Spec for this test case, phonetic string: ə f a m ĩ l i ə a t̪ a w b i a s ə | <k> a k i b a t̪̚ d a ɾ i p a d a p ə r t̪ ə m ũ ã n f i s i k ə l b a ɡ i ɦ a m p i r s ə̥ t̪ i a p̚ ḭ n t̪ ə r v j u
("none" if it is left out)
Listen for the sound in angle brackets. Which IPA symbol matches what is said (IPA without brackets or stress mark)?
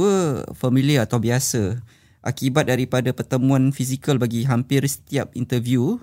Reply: ʔ